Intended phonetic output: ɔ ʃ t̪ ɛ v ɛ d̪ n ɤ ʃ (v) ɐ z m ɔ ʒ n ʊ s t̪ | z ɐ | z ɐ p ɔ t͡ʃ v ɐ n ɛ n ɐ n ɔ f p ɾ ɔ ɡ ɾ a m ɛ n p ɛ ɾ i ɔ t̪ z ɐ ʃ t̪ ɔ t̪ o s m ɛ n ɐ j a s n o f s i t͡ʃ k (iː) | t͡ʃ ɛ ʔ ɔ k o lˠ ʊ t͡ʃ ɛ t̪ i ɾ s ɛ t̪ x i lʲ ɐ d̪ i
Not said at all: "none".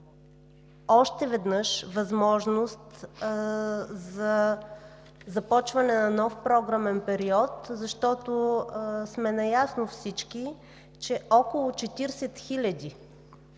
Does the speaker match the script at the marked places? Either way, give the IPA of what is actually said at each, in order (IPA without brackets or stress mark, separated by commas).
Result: v, i